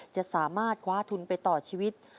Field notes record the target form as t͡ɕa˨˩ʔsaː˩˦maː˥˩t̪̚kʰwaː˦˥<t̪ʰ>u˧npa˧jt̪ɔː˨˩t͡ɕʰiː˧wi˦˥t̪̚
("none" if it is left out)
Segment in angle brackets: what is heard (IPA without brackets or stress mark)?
t̪ʰ